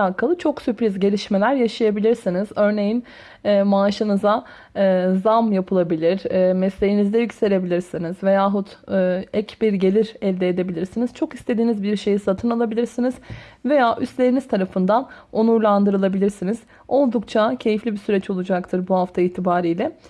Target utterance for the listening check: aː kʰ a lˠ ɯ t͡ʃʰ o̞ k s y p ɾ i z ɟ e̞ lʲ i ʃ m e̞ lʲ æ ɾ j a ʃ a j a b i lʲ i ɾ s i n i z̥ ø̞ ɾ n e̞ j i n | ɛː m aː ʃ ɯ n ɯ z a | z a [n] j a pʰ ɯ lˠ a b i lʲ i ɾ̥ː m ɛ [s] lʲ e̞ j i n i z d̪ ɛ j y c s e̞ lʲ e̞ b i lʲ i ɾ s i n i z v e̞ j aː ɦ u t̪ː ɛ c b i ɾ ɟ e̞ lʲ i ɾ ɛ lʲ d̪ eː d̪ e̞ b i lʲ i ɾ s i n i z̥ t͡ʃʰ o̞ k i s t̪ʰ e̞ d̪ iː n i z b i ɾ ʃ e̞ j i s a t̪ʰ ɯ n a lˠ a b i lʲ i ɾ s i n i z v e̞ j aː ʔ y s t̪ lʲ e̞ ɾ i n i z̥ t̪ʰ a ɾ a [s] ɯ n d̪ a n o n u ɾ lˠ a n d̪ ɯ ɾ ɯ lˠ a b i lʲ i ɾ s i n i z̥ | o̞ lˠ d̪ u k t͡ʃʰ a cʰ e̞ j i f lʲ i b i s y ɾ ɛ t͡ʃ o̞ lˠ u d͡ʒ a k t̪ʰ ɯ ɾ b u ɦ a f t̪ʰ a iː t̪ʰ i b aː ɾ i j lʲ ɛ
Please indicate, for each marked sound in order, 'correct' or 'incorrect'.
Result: incorrect, correct, incorrect

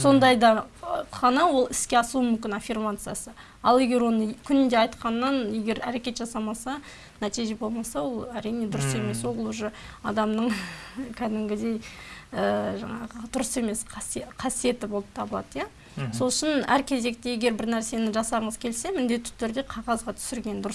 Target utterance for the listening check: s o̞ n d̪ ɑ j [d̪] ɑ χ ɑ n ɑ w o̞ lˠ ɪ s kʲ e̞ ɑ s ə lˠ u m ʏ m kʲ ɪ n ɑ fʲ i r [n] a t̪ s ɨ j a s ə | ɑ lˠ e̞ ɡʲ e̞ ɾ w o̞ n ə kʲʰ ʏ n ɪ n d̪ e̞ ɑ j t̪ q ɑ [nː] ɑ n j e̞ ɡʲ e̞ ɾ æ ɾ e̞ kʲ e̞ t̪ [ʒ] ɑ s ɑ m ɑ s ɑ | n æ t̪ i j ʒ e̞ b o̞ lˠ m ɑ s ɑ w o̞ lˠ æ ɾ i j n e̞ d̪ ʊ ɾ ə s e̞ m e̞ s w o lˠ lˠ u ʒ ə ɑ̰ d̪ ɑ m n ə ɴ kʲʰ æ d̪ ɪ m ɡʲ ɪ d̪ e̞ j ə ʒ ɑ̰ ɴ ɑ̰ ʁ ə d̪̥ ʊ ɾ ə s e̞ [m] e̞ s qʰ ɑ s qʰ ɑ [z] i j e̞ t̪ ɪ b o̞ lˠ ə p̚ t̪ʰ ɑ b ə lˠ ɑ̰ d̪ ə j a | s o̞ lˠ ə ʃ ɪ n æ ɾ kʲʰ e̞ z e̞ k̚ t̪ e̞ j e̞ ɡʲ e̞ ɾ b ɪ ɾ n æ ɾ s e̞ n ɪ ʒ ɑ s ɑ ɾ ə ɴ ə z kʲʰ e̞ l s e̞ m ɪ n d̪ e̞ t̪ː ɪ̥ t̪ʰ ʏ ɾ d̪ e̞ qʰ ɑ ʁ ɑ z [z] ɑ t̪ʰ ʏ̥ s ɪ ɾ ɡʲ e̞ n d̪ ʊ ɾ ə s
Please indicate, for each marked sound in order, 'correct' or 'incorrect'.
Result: correct, incorrect, correct, correct, correct, incorrect, incorrect

